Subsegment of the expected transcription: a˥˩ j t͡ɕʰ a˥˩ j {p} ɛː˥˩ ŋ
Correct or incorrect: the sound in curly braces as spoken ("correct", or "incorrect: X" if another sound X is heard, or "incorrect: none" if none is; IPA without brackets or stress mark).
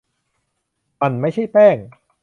correct